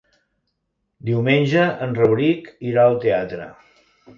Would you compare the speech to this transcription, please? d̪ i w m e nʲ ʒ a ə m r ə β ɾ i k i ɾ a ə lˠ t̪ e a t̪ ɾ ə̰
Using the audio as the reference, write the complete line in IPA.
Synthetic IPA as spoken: d̪ i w m e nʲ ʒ ə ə n r ə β ɾ i k i ɾ a ə lˠ t̪ e a t̪ ɾ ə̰